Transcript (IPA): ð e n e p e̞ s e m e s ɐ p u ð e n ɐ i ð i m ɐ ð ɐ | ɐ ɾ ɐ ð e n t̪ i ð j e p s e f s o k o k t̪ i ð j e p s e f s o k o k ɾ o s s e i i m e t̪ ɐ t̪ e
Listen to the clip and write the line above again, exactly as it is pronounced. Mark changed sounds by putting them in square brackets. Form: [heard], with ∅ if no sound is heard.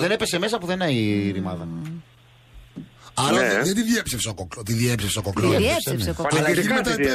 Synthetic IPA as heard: ð e n e p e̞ s e m e s ɐ p u ð e n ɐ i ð i m ɐ ð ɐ | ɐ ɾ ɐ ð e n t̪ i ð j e p s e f s o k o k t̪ i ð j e p s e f s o k o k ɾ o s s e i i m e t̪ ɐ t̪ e